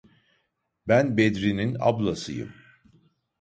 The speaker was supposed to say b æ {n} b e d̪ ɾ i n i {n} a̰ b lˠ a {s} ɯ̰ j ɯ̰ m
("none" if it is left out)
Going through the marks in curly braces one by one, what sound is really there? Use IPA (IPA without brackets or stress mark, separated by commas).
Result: n, n, s